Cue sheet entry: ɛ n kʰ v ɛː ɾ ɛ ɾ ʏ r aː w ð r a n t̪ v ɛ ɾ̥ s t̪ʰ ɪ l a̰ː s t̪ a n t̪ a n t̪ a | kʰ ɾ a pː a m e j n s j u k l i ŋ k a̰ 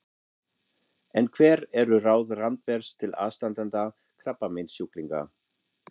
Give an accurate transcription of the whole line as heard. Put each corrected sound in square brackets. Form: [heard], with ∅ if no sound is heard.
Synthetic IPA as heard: ɛ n kʰ v ɛː ɾ ɛ ɾ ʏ r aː w ð r a n t̪ v ɛ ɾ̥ s t̪ʰ ɪ l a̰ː s t̪ a n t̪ a n t̪ a | kʰ ɾ a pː a m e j n s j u k l i ŋ k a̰

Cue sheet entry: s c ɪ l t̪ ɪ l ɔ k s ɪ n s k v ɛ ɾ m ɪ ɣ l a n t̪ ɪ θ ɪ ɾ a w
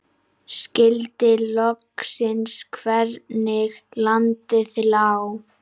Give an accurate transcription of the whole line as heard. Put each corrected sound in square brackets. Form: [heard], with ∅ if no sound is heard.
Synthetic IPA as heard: s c ɪ l t̪ ɪ l ɔ k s ɪ n s [kʰ] v ɛ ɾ [n] ɪ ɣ l a n t̪ ɪ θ ɪ [l] a w

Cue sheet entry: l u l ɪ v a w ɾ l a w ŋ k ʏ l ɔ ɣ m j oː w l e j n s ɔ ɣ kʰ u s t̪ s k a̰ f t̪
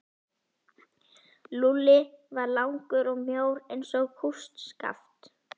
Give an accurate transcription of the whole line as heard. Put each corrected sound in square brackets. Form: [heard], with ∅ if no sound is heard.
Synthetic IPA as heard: l u l ɪ v a [∅] ɾ l a w ŋ k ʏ [ɾ] ɔ ɣ m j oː w [ɾ] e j n s ɔ ɣ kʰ u s t̪ s k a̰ f t̪

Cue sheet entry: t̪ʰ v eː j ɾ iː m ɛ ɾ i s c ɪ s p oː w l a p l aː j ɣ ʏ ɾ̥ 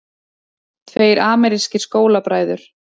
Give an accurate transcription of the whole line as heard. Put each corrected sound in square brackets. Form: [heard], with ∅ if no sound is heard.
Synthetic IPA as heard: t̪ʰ v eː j ɾ [aː] m ɛ ɾ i s c ɪ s [k] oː w l a p [ɾ] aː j [ð] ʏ ɾ̥

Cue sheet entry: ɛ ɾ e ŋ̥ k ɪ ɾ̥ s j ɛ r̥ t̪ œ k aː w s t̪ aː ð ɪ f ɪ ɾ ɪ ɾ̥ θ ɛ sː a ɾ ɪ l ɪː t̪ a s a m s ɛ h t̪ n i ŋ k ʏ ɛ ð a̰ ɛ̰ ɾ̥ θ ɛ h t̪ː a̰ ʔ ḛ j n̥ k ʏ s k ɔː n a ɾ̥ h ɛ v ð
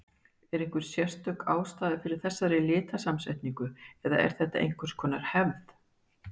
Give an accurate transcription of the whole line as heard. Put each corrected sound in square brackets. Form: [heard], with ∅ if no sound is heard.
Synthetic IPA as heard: ɛ ɾ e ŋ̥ k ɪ ɾ̥ s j ɛ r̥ t̪ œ k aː w s t̪ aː ð ɪ f ɪ ɾ ɪ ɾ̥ θ ɛ sː a ɾ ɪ l ɪː t̪ a s a m s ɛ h t̪ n i ŋ k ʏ ɛ ð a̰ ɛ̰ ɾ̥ θ ɛ h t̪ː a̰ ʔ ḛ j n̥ k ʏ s [kʰ] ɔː n a ɾ̥ h ɛ v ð

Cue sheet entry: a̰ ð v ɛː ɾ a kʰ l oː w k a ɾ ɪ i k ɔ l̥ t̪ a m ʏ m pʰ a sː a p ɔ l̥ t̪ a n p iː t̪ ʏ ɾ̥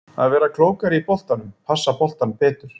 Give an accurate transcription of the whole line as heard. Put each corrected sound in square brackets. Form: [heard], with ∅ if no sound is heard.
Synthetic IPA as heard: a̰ ð v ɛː ɾ a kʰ l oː w k a ɾ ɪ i [p] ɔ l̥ t̪ a [n] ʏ m pʰ a sː a p ɔ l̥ t̪ a n p [ɛː] t̪ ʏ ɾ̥

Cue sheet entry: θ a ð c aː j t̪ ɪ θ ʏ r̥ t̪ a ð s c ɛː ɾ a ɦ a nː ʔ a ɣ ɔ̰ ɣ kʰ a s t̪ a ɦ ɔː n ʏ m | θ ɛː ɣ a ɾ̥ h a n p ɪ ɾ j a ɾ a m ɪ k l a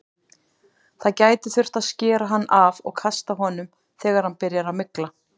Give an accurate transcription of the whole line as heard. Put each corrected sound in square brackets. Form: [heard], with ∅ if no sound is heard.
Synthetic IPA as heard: θ a ð c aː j t̪ ɪ θ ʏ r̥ t̪ a ð s c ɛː ɾ a ɦ a nː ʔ a [v] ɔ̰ ɣ kʰ a s t̪ a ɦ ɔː n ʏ m | θ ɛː ɣ a ɾ̥ h a n p ɪ ɾ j a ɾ a m ɪ k l a

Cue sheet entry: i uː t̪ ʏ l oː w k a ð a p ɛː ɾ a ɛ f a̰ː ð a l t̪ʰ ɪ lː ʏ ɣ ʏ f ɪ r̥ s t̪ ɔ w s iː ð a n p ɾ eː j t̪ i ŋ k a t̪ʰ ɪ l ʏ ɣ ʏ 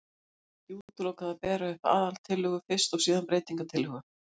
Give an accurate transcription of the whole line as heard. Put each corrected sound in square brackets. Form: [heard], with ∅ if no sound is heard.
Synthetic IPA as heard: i uː t̪ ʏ l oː w k a ð a p ɛː ɾ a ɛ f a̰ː ð a l t̪ʰ ɪ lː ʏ ɣ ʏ f ɪ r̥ s t̪ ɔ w s iː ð a n p ɾ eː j t̪ i ŋ k a t̪ʰ ɪ l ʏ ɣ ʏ

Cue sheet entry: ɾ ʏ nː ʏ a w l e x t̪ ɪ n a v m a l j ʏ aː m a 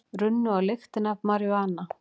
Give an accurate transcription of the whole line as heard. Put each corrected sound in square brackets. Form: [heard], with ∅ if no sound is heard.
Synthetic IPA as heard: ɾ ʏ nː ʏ a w l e x t̪ ɪ n a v m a [ɾ] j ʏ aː [n] a

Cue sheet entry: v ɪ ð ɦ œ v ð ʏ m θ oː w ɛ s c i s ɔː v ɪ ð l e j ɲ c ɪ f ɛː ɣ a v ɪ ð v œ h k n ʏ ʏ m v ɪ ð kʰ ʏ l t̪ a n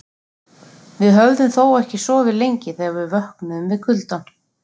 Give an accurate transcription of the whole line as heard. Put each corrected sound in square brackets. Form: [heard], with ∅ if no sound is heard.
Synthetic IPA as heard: v ɪ ð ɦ œ v ð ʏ m θ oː w ɛ [h] c [ɪ] s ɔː v ɪ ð l e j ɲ c ɪ [θ] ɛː ɣ a v ɪ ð v œ h k n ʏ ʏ m v ɪ ð kʰ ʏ l t̪ a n

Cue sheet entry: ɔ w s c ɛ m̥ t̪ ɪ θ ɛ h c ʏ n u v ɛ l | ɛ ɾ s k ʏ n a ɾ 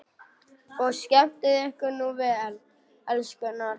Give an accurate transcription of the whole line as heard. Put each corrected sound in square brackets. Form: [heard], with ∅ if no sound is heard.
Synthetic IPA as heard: ɔ [ɣ] s c ɛ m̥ t̪ ɪ [ð] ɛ h [k] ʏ n u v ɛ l | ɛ [l] s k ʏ n a ɾ

